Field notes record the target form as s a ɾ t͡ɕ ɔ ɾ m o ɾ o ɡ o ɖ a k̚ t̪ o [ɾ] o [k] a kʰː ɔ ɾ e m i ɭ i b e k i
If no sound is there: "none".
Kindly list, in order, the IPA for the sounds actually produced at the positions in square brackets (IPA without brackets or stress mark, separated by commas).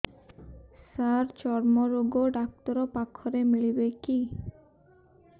ɾ, p